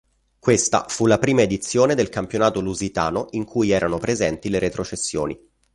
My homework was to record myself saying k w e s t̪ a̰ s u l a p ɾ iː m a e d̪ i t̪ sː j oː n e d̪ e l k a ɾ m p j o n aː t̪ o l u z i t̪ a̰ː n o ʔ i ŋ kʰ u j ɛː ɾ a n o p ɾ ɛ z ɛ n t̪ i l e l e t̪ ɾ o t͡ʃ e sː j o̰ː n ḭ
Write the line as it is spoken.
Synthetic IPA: k w e s t̪ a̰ f u l a p ɾ iː m a e d̪ i t̪ sː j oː n e d̪ e l k a m p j o n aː t̪ o l u z i t̪ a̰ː n o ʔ i ŋ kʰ u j ɛː ɾ a n o p ɾ e z ɛ n t̪ i l e ɾ e t̪ ɾ o t͡ʃ e sː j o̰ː n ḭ